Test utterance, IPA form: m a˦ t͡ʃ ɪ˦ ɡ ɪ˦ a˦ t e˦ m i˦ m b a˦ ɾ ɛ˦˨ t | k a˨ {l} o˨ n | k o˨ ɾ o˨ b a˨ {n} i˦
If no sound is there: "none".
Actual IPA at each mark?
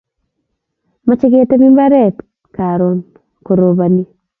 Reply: ɾ, n

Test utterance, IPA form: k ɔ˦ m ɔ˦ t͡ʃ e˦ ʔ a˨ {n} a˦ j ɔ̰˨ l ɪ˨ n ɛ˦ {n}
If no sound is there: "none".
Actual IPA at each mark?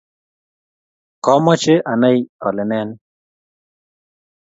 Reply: n, n

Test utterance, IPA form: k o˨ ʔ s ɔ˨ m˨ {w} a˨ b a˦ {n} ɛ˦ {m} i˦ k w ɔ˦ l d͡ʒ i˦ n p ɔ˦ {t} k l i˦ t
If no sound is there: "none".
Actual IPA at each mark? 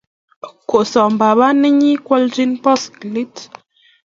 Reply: b, n, ɲ, s

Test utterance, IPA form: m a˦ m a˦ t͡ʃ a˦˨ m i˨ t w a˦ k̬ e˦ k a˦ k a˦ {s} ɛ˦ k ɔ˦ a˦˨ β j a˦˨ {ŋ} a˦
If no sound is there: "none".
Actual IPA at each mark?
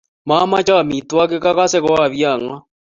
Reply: s, ŋ

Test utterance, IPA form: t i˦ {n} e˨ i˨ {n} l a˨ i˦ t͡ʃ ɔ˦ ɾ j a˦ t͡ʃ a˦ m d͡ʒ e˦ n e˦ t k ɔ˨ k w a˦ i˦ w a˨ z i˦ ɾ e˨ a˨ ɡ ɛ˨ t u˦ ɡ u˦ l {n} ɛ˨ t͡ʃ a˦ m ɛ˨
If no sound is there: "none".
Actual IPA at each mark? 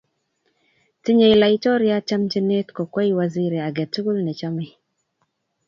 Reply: ɲ, none, n

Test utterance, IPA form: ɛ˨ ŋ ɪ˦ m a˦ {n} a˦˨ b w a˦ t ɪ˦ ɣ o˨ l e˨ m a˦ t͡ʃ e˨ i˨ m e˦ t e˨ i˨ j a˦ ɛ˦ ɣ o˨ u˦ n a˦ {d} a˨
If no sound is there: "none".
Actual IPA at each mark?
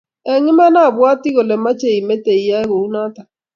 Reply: n, t

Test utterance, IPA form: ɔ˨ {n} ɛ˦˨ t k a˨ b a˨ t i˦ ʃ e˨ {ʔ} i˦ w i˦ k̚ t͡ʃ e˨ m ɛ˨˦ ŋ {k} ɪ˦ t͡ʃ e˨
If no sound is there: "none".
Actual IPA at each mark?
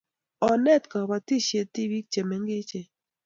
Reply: n, t, ɡ

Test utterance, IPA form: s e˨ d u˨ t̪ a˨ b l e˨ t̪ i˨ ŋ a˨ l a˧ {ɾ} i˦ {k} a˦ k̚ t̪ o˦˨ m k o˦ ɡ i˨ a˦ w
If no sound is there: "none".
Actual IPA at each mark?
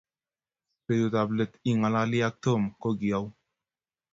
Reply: l, none

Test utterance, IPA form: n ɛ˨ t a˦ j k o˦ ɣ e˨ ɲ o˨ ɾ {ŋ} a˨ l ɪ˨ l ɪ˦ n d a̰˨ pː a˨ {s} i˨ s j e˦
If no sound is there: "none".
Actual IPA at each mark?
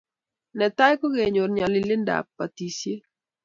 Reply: ɲ, t

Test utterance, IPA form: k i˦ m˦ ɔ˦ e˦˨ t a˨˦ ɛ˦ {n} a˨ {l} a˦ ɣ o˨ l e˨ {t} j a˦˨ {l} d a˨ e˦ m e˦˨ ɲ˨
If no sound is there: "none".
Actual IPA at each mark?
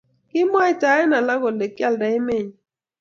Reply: n, l, k, l

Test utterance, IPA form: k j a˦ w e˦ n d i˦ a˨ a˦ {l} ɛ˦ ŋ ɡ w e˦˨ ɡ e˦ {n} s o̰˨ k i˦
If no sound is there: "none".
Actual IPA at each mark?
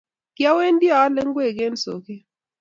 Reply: l, n

